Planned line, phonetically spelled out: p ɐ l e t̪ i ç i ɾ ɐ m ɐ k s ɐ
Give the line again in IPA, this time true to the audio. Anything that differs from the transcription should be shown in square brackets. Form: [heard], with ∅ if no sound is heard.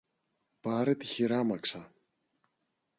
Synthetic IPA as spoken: p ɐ [ɾ] e t̪ i ç i ɾ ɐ m ɐ k s ɐ